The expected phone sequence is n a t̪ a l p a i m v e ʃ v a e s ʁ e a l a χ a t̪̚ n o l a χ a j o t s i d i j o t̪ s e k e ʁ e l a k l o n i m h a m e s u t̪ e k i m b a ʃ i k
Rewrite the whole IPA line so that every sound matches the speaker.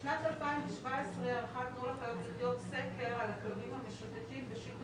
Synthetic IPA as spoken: n a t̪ a l p a i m v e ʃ v a e s ʁ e a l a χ a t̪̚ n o l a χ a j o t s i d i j o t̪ s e k e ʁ a l a k l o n i m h a m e ʃ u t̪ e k i m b e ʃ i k